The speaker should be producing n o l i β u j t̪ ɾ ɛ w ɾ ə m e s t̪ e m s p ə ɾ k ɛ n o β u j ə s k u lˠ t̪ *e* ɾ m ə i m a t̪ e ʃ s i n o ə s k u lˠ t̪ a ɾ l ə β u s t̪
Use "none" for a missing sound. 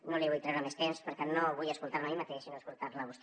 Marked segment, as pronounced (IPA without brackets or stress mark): a